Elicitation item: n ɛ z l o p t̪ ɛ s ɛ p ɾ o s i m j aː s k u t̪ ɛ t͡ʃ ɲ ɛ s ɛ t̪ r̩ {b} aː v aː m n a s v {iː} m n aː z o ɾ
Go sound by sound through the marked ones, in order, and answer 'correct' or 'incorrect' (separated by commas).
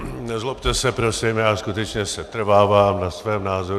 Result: incorrect, incorrect